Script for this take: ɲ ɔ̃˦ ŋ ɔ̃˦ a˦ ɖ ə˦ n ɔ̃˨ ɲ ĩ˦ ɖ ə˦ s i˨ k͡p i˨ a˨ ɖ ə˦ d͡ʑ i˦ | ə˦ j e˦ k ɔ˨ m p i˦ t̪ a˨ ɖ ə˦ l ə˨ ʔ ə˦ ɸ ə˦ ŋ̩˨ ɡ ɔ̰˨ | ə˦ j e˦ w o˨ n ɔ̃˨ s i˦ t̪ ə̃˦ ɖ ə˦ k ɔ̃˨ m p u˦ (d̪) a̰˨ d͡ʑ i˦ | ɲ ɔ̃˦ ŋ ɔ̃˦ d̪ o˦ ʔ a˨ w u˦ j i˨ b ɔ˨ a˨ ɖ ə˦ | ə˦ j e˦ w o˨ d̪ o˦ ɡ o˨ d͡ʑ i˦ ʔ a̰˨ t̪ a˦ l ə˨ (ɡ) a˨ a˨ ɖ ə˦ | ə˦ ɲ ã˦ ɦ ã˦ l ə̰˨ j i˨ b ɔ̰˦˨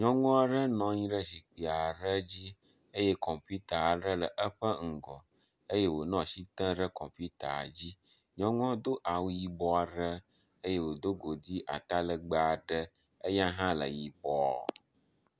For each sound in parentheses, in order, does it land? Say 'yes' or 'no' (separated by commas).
no, no